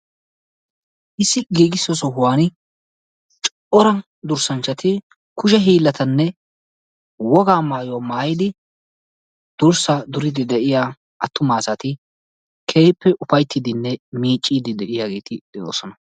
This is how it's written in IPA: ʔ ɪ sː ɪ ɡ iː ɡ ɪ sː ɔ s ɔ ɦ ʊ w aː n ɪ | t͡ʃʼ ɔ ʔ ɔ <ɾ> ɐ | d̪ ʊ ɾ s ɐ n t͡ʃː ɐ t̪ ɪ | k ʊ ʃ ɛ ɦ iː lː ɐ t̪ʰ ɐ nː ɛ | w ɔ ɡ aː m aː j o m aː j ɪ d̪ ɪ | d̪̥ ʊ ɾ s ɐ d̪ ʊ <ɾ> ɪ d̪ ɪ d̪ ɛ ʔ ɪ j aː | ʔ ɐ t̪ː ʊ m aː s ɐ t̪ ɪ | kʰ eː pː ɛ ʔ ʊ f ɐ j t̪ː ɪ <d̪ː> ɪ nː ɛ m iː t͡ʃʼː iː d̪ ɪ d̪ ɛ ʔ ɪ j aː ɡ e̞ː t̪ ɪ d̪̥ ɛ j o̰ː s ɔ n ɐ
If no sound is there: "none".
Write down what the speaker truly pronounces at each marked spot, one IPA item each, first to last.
ɾ, ɾ, d̪

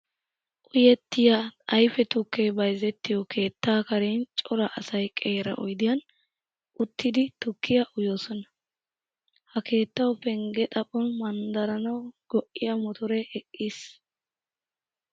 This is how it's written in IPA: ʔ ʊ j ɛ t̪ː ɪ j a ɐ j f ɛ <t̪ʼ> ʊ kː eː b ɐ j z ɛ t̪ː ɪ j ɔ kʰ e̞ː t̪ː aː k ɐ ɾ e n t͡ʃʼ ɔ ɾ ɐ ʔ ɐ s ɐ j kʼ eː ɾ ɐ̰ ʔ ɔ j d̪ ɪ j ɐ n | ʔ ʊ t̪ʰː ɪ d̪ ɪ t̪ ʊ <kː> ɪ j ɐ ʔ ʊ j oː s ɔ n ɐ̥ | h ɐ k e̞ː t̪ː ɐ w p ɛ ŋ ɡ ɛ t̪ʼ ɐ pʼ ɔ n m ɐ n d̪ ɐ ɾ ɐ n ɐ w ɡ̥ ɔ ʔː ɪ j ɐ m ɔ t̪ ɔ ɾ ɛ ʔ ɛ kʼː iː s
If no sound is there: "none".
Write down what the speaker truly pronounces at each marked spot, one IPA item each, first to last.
t̪, kː

